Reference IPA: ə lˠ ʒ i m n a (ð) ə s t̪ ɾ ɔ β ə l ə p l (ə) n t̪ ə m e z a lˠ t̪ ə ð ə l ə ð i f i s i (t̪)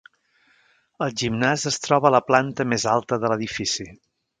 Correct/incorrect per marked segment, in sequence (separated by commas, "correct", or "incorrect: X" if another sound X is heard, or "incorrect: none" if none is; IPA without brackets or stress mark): incorrect: z, incorrect: a, incorrect: none